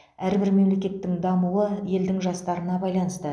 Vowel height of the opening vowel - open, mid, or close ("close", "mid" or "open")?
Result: open